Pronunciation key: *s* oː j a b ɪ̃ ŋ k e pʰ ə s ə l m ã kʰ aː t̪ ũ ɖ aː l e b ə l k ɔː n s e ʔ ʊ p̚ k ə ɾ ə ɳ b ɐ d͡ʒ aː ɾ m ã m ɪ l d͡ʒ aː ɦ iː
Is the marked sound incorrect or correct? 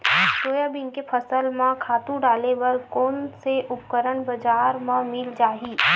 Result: incorrect